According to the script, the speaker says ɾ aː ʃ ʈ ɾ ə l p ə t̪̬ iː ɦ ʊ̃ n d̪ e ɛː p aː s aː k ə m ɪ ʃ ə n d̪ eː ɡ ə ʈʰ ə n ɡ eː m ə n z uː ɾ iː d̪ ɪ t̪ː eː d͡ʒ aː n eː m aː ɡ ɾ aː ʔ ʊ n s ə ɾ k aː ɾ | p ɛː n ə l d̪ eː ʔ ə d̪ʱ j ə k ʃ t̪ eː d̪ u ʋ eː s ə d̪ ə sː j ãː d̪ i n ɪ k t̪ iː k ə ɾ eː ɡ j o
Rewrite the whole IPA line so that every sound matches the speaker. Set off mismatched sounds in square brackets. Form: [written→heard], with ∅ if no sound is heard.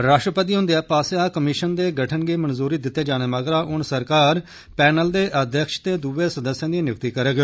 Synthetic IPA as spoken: ɾ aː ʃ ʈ ɾ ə [l→∅] p ə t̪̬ iː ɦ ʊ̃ n d̪ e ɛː p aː s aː k ə m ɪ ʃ ə n d̪ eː ɡ ə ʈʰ ə n ɡ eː m ə n z uː ɾ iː d̪ ɪ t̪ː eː d͡ʒ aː n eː m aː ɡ ɾ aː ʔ ʊ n s ə ɾ k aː ɾ | p ɛː n ə l d̪ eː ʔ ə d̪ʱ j ə k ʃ t̪ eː d̪ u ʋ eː s ə d̪ ə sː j ãː d̪ i n ɪ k t̪ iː k ə ɾ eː ɡ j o